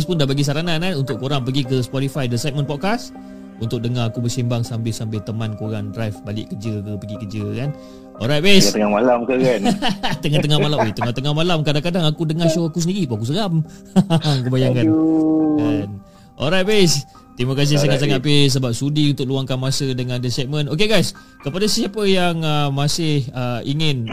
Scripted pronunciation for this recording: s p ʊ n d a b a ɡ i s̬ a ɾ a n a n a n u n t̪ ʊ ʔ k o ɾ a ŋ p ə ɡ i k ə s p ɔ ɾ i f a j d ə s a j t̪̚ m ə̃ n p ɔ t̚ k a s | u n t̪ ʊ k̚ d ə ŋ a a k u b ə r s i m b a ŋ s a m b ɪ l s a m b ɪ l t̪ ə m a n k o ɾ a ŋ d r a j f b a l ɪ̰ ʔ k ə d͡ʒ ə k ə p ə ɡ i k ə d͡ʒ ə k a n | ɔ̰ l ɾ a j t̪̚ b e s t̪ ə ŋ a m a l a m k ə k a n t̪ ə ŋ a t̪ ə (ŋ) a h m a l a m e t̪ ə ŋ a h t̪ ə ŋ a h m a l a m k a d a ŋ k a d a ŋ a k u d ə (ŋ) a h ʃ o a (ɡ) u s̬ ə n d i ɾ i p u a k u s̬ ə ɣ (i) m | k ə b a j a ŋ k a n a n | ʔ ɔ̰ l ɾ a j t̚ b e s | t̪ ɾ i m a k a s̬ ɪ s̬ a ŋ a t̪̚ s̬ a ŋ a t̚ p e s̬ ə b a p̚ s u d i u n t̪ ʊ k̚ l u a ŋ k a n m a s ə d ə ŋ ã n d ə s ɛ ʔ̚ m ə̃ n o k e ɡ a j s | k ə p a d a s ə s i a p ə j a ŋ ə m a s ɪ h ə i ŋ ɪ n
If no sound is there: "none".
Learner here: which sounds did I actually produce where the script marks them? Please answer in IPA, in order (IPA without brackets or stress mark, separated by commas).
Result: ŋ, ŋ, k, a